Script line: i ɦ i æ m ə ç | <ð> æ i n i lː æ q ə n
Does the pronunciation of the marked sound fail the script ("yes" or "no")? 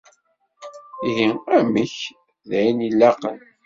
no